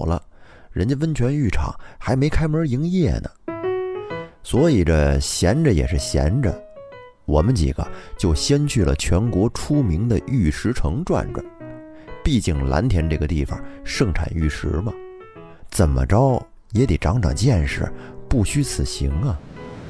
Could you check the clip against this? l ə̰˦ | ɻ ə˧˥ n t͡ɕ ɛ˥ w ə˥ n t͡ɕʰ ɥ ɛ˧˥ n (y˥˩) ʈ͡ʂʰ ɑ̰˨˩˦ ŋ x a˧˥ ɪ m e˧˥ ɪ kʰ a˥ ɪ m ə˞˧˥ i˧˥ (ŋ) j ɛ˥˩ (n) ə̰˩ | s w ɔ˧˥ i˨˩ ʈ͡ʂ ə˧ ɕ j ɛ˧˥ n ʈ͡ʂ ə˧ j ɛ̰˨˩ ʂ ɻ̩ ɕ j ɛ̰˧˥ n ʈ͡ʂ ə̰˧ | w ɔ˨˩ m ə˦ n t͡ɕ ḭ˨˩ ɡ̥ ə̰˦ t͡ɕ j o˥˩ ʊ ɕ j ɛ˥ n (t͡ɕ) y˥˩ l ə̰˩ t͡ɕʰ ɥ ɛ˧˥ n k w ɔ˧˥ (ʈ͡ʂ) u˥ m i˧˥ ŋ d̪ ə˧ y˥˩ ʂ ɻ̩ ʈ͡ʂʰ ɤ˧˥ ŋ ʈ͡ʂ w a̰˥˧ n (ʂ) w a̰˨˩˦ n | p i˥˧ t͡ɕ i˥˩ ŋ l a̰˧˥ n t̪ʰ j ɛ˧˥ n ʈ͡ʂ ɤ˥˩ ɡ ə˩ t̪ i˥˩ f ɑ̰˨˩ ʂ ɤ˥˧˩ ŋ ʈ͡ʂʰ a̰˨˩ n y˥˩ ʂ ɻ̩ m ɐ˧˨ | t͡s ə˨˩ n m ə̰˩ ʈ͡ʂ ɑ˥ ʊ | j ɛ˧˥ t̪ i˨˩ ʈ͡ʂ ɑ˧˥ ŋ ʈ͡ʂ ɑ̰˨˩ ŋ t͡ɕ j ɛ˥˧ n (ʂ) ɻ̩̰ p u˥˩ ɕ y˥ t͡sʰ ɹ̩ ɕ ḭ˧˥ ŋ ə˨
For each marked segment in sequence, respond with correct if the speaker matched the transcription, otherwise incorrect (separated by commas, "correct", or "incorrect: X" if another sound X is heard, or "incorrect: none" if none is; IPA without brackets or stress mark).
correct, correct, correct, incorrect: t͡ɕʰ, incorrect: ʈ͡ʂʰ, incorrect: ʈ͡ʂ, correct